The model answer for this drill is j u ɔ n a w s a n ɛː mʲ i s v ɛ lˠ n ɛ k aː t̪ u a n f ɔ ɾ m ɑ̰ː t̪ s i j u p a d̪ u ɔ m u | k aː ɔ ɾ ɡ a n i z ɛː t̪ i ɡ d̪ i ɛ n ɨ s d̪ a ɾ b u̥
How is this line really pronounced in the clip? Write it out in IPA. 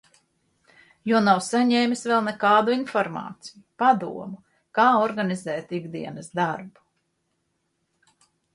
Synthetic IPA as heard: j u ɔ n a w s a ɲ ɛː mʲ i s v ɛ lˠ n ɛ k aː d̪ u i n f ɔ ɾ m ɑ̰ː t̪ s i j u p a d̪ u ɔ m u | k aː ɔ ɾ ɡ a n i z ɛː t̪ i ɡ d̪ i ɛ n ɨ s d̪ a ɾ b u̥